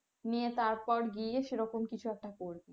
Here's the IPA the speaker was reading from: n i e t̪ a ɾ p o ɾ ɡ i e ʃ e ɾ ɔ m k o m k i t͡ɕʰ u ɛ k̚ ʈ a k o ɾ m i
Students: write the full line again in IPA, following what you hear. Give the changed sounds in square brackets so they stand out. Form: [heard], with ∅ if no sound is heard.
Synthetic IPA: n i e t̪ a ɾ p [ɔ] ɾ ɡ i e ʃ e ɾ ɔ [∅] k o m k i t͡ɕʰ u ɛ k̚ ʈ a k o ɾ [b] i

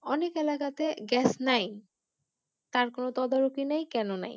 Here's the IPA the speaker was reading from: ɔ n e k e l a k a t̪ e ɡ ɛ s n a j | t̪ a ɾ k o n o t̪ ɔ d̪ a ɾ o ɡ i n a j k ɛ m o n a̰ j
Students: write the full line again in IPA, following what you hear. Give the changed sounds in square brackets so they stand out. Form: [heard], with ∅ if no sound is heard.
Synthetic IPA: ɔ n e k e l a k a t̪ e ɡ ɛ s n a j | t̪ a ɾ k o n o t̪ ɔ d̪ a ɾ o [k] i n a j k ɛ [n] o n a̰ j

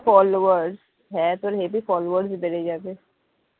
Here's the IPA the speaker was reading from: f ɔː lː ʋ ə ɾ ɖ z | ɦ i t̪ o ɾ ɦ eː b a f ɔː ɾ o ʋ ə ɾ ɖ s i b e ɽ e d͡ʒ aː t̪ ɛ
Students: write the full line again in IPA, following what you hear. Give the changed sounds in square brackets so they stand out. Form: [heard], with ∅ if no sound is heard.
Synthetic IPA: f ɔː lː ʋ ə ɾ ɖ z | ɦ [ɛ] t̪ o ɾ ɦ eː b [i] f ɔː [l] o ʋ ə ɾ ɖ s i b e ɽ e d͡ʒ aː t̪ [e]

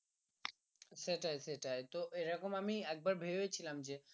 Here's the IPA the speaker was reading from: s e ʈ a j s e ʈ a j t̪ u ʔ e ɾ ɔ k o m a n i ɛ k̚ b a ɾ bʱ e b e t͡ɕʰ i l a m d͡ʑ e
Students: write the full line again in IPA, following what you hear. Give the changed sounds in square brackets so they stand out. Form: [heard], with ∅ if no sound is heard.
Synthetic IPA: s e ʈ a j s e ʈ a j t̪ [o] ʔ e ɾ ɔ k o m a [m] i ɛ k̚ b a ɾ bʱ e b e t͡ɕʰ i l a m d͡ʑ e

